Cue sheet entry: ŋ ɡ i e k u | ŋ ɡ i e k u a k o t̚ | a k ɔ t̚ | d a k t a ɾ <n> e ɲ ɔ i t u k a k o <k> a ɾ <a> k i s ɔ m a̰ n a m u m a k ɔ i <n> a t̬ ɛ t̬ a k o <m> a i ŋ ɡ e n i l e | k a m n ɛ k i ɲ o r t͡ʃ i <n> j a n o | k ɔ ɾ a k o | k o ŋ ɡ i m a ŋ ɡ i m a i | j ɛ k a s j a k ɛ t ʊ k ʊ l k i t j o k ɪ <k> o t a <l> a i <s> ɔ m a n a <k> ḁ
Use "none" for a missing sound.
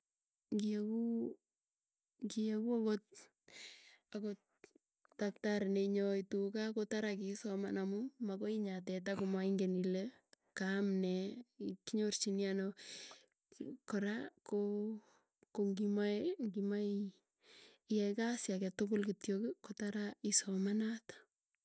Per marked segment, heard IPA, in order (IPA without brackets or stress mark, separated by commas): n, t, a, ɲ, m, n, k, ɾ, s, t